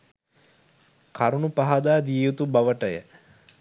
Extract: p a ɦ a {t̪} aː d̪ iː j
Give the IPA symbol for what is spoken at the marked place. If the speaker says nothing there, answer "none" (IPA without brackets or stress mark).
d̪